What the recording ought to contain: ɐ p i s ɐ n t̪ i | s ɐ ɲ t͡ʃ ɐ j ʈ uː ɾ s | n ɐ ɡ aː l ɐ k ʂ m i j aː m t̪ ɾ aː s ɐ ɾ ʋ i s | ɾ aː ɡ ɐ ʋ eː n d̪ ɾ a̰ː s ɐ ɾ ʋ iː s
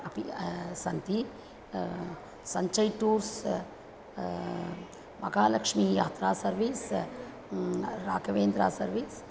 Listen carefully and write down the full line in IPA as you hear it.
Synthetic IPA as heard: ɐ p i s ɐ n t̪ i | s ɐ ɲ t͡ʃ ɐ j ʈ uː ɾ s | m ɐ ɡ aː l ɐ k ʂ m i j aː t̪ ɾ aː s ɐ ɾ ʋ i s | ɾ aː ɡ ɐ ʋ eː n d̪ ɾ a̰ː s ɐ ɾ ʋ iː s

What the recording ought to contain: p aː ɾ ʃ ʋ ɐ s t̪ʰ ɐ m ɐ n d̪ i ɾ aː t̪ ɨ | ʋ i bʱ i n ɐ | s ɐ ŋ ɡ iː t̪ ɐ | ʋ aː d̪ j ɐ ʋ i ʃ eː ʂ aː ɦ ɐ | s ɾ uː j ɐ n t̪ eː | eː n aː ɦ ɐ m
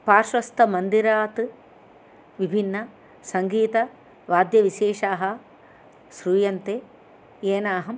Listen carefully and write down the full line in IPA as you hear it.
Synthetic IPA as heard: p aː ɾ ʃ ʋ ɐ s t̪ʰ ɐ m ɐ n d̪ i ɾ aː t̪ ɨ | ʋ i bʱ i nː ɐ | s ɐ ŋ ɡ iː t̪ ɐ | ʋ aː d̪ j ɐ ʋ i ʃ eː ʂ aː ɦ ɐ | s ɾ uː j ɐ n t̪ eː | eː n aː ɦ ɐ m

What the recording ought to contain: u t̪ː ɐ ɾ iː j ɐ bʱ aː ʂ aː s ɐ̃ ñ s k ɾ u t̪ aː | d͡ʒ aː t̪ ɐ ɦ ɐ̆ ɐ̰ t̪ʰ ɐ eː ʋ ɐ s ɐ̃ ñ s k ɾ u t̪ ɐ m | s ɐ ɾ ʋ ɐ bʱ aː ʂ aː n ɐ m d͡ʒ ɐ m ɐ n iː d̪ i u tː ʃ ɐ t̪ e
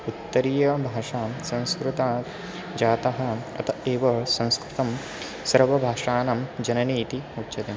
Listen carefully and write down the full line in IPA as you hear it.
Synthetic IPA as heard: u t̪ː ɐ ɾ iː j ɐ bʱ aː ʂ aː s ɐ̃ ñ s k ɾ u t̪ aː | d͡ʒ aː t̪ ɐ ɦ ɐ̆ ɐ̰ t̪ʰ ɐ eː ʋ ɐ s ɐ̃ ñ s k ɾ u t̪ ɐ m | s ɐ ɾ ʋ ɐ bʱ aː ʂ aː n ɐ m d͡ʒ ɐ n ɐ n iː t̪ i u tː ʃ ɐ t̪ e

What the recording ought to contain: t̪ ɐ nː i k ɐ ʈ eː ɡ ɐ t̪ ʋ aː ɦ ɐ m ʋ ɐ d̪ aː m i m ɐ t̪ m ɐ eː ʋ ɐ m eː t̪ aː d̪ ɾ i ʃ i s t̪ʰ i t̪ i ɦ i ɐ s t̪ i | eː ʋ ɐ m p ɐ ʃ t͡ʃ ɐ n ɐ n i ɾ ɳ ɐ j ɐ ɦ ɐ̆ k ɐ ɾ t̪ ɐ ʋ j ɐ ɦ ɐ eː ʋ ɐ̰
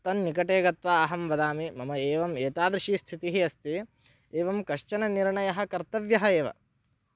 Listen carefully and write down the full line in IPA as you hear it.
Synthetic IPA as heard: t̪ ɐ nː i k ɐ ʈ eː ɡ ɐ t̪ ʋ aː ɦ ɐ m ʋ ɐ d̪ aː m i m ɐ m ɐ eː ʋ ɐ m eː t̪ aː d̪ ɾ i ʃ i s t̪ʰ i t̪ i ɦ i ɐ s t̪ i | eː ʋ ɐ m k ɐ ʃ t͡ʃ ɐ n ɐ n i ɾ ɳ ɐ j ɐ ɦ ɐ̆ k ɐ ɾ t̪ ɐ ʋ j ɐ ɦ ɐ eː ʋ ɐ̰

